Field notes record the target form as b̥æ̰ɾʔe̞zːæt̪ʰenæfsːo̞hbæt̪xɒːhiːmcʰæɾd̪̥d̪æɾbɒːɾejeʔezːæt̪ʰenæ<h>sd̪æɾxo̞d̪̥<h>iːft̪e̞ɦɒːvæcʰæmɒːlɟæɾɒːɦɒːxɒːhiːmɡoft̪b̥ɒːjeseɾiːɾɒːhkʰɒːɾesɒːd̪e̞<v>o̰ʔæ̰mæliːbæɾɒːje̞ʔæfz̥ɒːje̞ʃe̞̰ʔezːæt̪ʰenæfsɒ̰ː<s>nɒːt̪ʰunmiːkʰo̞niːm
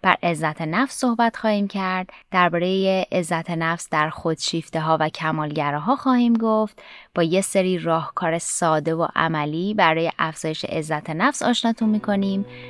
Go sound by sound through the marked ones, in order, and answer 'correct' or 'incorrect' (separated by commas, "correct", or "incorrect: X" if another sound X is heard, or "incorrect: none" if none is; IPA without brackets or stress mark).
incorrect: f, incorrect: ʃ, correct, incorrect: ʃ